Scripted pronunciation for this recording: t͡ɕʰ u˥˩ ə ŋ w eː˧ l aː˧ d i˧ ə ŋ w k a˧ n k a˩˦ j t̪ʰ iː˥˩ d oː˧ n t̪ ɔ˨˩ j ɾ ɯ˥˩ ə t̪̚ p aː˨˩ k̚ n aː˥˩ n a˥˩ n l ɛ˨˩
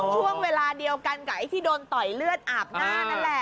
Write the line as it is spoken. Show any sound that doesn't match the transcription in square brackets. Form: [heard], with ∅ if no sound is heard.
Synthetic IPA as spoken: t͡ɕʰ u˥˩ ə ŋ w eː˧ l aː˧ d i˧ ə [∅] w k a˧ n k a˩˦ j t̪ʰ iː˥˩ d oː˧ n t̪ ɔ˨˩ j [l] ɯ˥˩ ə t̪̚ [ʔ] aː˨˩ [p̚] n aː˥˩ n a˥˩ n l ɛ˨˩